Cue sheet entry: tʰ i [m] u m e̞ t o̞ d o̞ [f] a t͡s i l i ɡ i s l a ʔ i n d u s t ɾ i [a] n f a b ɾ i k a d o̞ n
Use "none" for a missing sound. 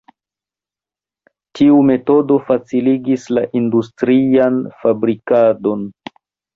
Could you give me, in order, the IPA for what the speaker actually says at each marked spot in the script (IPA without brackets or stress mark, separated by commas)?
none, f, a